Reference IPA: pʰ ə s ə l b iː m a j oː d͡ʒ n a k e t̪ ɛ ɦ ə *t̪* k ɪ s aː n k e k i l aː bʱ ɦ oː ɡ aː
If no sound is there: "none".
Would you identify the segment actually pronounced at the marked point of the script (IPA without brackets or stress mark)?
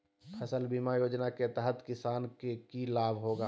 t̪